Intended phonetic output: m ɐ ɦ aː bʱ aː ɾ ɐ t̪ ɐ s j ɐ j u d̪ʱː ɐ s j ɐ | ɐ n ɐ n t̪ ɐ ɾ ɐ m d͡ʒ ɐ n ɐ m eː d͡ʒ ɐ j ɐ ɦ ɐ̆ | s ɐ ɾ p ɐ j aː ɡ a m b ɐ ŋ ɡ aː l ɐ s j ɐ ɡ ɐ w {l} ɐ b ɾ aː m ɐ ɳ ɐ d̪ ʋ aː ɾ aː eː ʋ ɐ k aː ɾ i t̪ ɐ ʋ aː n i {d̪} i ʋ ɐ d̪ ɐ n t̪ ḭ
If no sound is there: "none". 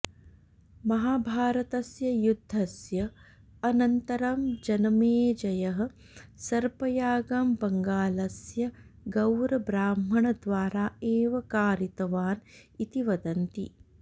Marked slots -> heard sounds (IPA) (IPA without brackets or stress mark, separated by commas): ɾ, t̪